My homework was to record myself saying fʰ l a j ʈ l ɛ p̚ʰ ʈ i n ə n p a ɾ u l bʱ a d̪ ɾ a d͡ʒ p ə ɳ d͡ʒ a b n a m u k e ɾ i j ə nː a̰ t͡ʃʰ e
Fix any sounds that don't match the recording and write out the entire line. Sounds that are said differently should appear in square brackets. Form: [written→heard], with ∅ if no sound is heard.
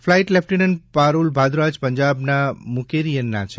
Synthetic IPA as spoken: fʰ l a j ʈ l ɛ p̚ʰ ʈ i n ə n p a ɾ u l bʱ a d̪ ɾ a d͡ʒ p ə [ɳ→ɲ] d͡ʒ a b n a m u k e ɾ i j ə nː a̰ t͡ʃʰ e